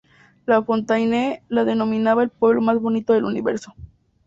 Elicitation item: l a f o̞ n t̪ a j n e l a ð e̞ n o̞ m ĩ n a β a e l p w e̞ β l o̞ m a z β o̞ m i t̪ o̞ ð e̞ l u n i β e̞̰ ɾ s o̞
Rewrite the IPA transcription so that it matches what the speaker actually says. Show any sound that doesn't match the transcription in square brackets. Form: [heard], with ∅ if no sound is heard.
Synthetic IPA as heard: l a f o̞ n t̪ a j n e l a ð e̞ n o̞ m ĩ n a β a e l p w e̞ β l o̞ m a z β o̞ [n] i t̪ o̞ ð e̞ l u n i β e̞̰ ɾ s o̞